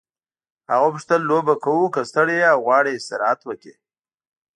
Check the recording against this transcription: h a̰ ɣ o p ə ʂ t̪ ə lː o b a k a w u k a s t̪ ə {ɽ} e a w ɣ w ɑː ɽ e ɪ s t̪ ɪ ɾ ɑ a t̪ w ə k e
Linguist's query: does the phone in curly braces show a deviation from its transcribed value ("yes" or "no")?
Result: no